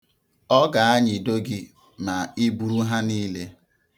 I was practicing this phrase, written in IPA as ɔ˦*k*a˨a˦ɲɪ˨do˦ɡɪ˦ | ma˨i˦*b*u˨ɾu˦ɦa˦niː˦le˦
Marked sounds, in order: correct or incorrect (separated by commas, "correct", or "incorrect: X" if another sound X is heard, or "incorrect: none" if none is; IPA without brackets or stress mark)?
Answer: incorrect: ɡ, correct